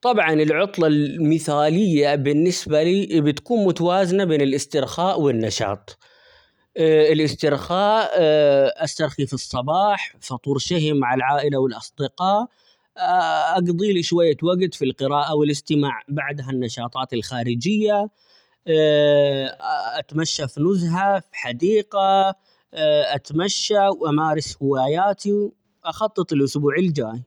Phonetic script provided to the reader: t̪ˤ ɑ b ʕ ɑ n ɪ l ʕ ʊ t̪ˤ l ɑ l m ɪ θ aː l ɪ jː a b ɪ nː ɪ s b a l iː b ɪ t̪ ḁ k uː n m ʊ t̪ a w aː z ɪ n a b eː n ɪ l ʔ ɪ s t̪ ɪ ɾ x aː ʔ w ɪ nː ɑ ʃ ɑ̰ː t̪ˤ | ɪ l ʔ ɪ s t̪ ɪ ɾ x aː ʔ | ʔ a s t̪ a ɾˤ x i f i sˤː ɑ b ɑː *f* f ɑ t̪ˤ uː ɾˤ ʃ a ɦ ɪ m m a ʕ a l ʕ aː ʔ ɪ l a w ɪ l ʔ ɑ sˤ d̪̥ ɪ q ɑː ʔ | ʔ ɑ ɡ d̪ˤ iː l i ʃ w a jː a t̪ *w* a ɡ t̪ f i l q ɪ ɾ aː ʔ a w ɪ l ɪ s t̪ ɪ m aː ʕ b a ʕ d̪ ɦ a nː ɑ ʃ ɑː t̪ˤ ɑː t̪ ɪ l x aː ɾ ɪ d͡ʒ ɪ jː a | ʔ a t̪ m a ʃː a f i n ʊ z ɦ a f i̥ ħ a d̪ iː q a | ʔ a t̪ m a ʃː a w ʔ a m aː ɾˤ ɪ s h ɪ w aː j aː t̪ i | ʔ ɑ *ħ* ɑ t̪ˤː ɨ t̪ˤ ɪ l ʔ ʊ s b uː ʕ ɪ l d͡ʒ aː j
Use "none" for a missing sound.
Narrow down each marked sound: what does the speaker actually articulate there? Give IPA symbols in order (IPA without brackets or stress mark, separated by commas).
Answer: ħ, w, x